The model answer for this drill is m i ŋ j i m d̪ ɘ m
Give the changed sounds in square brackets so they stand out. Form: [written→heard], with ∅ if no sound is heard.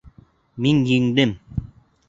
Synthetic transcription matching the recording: m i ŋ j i [m→ŋ] d̪ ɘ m